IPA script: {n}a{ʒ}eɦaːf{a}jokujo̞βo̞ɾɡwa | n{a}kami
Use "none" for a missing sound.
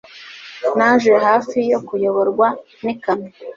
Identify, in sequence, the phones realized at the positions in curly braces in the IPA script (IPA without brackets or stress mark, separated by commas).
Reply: n, ʒ, i, i